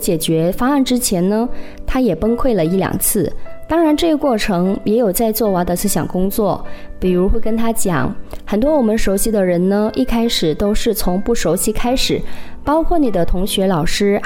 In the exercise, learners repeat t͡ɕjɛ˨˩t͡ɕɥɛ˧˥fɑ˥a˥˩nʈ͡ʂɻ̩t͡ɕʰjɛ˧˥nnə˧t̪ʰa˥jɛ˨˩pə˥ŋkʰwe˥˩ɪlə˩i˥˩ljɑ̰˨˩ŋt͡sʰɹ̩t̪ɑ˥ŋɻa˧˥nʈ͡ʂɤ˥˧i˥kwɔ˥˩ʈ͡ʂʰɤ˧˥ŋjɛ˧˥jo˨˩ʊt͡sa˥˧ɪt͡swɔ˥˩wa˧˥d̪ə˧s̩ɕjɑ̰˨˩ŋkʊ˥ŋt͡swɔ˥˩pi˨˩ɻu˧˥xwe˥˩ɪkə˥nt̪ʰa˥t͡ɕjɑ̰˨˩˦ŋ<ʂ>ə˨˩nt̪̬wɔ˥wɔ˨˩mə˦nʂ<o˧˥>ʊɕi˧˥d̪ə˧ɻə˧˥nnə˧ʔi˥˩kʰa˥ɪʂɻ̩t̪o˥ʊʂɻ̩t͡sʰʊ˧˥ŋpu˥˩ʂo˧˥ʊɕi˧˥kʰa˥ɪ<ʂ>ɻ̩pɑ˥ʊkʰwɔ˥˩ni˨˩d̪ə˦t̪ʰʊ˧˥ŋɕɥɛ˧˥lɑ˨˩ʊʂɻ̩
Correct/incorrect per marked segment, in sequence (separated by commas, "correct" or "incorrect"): incorrect, correct, correct